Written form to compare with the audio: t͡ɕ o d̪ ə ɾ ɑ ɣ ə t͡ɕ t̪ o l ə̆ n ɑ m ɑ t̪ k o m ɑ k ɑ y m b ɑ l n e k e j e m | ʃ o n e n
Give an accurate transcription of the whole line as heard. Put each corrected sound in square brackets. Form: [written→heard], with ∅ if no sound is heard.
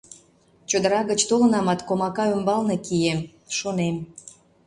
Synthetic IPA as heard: t͡ɕ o d̪ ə ɾ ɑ ɣ ə t͡ɕ t̪ o l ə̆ n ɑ m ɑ t̪ k o m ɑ k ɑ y m b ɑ l n e k [e→i] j e m | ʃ o n e [n→m]